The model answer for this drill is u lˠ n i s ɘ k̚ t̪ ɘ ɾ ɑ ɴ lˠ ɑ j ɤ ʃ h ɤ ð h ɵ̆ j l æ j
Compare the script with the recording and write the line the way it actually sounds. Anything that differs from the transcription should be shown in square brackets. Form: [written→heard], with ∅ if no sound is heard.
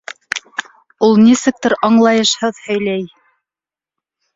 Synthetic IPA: u lˠ n i s ɘ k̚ t̪ ɘ ɾ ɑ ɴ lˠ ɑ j ɤ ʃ h ɤ ð h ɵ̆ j l æ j